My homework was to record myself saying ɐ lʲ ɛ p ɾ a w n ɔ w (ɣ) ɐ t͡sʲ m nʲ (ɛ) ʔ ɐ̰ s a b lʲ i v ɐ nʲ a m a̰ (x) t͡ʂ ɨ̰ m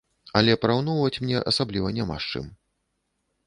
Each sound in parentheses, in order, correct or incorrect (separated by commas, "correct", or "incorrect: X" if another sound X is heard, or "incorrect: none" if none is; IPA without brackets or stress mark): incorrect: v, correct, incorrect: ʂ